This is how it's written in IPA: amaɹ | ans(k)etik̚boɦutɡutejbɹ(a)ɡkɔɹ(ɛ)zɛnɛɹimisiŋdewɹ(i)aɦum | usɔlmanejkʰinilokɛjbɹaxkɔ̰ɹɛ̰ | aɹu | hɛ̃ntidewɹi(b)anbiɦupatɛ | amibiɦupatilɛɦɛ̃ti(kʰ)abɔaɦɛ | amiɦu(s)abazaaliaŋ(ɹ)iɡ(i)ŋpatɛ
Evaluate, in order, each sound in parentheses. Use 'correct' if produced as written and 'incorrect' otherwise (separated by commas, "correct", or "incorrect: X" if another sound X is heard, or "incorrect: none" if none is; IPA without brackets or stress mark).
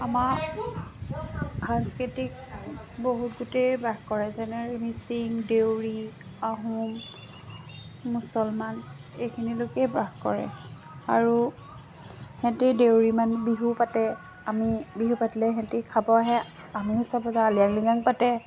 correct, correct, correct, correct, incorrect: m, correct, correct, incorrect: l, incorrect: a